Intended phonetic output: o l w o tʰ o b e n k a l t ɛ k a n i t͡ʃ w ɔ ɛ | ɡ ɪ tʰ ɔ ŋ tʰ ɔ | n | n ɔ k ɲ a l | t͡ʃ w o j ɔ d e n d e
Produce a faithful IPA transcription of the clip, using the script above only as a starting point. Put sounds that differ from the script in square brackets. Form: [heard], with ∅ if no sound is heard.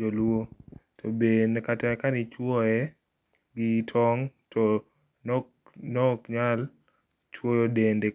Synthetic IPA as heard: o l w o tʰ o b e n k a [∅] t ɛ k a n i t͡ʃ w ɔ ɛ | ɡ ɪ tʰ ɔ ŋ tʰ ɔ | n | n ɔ k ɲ a l | t͡ʃ w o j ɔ d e n d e

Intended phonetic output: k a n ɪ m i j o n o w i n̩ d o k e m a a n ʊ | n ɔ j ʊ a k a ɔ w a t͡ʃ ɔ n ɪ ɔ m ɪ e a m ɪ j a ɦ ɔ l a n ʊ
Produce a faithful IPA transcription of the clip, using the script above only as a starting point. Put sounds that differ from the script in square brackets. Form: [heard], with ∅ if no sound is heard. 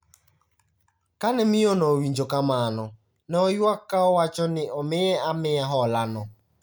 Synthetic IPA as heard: k a n ɪ m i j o n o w i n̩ [d͡ʒ] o k [a] m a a n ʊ | n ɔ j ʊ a k a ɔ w a t͡ʃ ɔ n ɪ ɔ m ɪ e a m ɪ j a ɦ ɔ l a n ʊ

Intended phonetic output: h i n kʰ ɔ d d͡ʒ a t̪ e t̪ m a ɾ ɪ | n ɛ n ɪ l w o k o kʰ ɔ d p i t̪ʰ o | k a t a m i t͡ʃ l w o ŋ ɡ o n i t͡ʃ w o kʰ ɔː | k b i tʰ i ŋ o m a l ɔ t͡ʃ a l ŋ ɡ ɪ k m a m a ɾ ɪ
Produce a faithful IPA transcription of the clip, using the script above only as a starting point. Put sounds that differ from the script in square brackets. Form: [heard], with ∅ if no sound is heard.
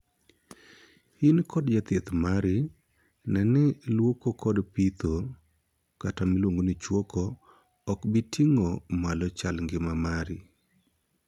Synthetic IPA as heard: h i n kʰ ɔ d d͡ʒ a t̪ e t̪ m a ɾ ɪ | n ɛ n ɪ l w o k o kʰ ɔ d p i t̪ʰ o | k a t a m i [∅] l w o ŋ ɡ o n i t͡ʃ w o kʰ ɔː | k b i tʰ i ŋ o m a l ɔ t͡ʃ a l ŋ ɡ ɪ [∅] m a m a ɾ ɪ

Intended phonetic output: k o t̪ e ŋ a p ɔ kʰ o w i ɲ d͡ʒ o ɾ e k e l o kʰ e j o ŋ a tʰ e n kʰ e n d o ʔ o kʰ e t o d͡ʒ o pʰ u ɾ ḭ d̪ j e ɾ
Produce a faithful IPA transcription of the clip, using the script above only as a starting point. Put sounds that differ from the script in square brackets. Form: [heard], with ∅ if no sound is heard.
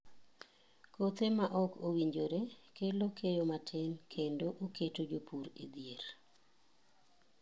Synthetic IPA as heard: k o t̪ e [m] a [ʔ] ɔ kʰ o w i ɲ d͡ʒ o ɾ e k e l o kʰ e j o [m] a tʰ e n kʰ e n d o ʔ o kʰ e t o d͡ʒ o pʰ u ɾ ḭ d̪ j e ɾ

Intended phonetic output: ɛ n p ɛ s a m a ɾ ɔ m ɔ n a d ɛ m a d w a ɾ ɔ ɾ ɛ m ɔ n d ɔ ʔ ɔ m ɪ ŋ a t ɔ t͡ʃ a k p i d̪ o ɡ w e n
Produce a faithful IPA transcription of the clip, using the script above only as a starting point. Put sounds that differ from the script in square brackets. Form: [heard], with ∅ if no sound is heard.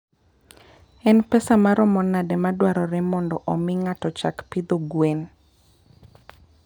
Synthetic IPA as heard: ɛ n p ɛ s a m a ɾ ɔ m ɔ n a d ɛ m a d w a ɾ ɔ ɾ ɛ m ɔ n d ɔ ʔ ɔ m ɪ ŋ a t ɔ t͡ʃ a k p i d̪ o ɡ w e n

